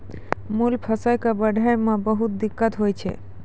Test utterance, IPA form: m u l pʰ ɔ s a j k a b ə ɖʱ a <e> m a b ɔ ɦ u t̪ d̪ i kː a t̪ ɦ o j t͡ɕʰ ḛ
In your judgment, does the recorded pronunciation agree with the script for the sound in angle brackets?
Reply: yes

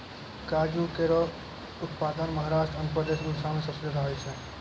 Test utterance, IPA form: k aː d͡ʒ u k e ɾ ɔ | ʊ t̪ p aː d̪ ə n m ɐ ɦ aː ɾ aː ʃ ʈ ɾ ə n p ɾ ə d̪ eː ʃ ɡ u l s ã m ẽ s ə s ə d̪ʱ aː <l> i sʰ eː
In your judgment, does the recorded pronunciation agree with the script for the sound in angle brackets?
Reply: no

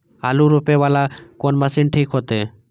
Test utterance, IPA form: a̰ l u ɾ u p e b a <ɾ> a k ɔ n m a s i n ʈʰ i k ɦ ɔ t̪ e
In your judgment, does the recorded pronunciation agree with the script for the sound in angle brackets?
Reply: no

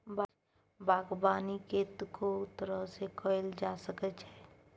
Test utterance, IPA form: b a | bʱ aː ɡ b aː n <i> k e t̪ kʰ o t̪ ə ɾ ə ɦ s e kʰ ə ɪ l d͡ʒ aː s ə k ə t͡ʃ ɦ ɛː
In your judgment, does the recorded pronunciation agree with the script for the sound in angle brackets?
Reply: yes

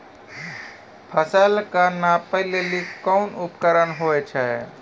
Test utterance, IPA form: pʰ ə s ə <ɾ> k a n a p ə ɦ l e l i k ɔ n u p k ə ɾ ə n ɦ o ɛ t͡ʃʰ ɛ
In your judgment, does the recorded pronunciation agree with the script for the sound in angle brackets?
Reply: no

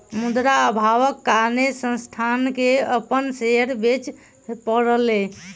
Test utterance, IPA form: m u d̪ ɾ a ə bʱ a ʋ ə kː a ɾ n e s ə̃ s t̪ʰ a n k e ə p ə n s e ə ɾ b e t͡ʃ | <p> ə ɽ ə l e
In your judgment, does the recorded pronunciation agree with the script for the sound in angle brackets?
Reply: yes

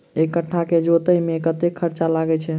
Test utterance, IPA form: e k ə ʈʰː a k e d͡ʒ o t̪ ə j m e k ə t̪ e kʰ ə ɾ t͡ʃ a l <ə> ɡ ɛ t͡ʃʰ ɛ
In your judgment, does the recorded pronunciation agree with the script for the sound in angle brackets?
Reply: no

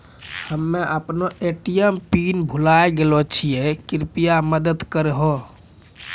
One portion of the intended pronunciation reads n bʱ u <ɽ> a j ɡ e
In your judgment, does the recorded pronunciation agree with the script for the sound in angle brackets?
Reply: no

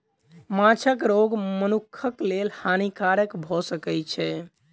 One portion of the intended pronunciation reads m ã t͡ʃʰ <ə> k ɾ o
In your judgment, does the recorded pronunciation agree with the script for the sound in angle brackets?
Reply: yes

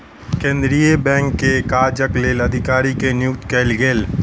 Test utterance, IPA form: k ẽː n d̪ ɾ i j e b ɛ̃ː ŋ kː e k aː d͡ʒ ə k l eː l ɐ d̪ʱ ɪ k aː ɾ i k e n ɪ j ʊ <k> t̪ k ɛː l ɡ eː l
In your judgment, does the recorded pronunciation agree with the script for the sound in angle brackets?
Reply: yes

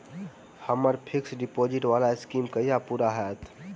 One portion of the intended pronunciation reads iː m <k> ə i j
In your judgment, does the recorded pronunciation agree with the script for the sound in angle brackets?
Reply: yes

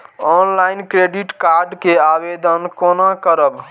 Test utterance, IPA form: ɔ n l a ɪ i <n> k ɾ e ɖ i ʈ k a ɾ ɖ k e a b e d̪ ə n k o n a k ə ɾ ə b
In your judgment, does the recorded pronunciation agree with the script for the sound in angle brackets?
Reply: yes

